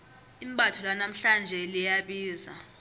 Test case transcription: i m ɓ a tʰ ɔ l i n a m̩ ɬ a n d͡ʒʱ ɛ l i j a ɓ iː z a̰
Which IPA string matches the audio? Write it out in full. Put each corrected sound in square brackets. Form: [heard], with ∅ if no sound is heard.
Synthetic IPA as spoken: i m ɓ a tʰ ɔ l [a] n a m̩ ɬ a n d͡ʒʱ ɛ l i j a ɓ iː z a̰